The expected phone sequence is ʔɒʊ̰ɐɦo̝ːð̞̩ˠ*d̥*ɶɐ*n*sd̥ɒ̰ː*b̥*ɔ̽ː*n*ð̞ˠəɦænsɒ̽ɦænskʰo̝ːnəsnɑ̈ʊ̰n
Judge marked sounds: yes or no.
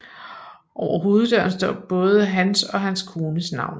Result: yes, yes, yes, no

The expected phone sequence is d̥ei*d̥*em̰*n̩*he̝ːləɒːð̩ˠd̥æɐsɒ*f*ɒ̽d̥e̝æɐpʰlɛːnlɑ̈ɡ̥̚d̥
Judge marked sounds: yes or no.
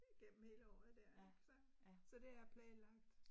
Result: no, no, no

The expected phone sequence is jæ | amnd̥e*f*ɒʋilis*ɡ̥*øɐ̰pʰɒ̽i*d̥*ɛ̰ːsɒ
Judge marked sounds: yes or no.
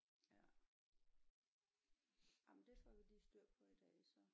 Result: yes, no, yes

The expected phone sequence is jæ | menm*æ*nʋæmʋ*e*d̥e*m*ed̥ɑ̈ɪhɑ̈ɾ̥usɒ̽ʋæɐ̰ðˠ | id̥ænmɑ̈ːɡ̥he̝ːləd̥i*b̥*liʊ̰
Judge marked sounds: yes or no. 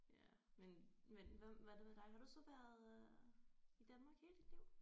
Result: no, no, yes, no

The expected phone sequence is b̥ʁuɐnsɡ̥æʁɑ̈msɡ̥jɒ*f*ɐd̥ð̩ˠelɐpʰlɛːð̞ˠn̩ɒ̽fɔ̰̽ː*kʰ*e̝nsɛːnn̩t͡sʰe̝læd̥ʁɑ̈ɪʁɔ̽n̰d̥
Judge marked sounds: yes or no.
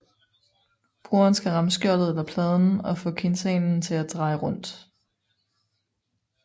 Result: no, yes

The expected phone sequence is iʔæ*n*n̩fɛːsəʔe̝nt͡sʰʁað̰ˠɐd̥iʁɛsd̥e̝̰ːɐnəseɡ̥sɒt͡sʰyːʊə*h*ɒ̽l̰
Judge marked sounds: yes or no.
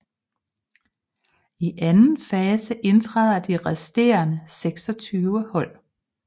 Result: yes, yes

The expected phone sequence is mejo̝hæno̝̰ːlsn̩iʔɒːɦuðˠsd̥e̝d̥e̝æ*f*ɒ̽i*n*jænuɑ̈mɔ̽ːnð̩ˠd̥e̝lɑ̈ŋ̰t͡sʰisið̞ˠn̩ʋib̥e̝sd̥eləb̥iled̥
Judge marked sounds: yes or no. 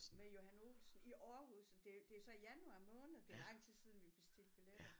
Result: no, no

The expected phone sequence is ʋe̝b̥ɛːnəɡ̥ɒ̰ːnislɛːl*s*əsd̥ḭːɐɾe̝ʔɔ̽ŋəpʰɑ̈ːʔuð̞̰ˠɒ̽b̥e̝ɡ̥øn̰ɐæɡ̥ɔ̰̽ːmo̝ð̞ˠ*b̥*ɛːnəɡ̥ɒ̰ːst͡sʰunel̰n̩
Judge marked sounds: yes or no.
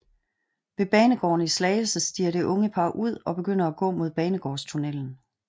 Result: yes, yes

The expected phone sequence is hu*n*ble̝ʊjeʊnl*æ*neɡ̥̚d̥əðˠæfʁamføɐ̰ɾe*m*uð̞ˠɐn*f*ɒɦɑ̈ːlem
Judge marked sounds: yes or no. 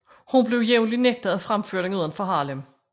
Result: yes, no, no, yes

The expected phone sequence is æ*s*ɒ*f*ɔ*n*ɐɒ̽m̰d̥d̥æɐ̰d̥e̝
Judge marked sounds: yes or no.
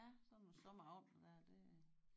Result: yes, no, no

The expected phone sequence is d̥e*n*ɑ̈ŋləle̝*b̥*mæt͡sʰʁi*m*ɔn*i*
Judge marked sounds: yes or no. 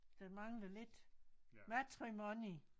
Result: no, no, yes, yes

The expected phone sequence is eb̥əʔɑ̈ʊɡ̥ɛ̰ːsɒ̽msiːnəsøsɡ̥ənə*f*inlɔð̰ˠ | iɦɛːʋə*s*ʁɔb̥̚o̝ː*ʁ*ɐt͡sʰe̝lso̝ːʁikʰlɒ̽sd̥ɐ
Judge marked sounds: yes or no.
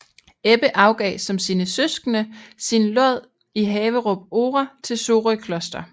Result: no, no, yes

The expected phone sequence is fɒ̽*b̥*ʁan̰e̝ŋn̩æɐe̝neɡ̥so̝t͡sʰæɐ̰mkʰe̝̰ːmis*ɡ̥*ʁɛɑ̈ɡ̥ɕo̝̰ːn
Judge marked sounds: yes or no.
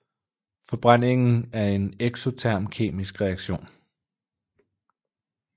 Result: yes, yes

